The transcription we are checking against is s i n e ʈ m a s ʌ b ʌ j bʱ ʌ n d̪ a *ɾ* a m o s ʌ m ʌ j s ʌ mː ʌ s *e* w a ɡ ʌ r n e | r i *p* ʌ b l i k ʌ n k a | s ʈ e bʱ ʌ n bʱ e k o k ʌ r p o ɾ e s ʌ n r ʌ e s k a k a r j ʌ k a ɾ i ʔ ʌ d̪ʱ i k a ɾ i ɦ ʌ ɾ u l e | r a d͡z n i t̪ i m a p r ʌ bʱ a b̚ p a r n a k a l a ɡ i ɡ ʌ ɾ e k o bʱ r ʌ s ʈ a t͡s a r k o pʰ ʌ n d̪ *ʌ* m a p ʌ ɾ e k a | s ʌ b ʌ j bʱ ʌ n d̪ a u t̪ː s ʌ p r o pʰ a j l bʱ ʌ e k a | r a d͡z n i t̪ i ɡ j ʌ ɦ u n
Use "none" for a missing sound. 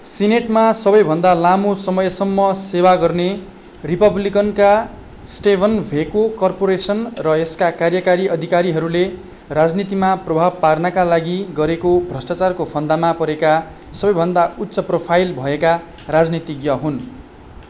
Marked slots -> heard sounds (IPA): l, e, p, a

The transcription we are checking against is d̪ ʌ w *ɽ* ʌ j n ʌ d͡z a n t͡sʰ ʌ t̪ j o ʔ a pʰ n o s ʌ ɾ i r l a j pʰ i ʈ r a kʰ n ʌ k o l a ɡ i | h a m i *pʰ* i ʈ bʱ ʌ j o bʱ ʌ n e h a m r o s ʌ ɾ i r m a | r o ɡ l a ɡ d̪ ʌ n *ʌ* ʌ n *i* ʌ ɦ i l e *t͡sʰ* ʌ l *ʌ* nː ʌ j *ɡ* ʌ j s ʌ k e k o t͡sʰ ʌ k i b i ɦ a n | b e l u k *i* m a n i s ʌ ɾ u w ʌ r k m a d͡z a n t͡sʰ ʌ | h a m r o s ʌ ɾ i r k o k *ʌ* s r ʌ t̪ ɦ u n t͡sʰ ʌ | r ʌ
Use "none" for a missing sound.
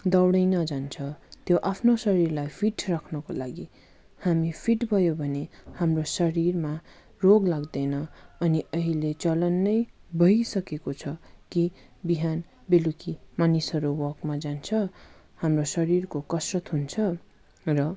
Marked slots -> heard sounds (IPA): ɽ, pʰ, ʌ, i, t͡s, ʌ, b, i, ʌ

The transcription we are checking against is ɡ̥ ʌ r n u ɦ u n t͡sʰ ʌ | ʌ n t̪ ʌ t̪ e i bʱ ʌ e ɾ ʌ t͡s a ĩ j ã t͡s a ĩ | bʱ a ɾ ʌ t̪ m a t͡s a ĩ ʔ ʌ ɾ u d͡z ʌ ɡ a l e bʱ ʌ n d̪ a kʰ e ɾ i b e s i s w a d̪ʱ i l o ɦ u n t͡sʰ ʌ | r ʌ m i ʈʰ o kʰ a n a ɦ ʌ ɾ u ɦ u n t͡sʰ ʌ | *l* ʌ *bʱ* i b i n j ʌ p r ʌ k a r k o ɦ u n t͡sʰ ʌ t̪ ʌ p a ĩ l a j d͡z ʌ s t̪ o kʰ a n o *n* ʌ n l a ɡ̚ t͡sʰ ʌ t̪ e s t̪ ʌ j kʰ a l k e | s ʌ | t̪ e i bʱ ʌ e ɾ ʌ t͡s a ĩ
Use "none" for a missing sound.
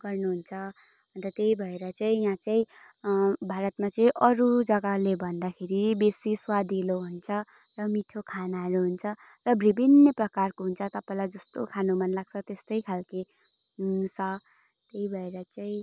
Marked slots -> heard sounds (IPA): r, bʱ, m

